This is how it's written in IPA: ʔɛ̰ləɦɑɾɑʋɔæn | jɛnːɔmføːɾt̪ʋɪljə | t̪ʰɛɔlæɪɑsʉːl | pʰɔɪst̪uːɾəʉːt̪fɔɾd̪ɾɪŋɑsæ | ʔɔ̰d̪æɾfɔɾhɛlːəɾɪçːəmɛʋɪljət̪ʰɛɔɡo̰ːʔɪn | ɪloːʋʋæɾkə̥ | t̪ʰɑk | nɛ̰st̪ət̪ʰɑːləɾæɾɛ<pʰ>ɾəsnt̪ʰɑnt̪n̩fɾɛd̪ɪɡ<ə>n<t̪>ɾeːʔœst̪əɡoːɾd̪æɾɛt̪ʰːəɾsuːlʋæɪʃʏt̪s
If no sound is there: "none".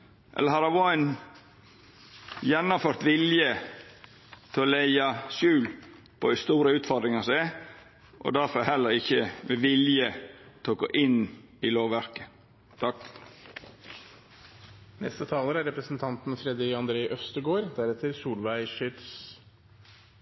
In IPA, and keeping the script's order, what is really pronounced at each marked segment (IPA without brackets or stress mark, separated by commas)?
p, ɑ, d̪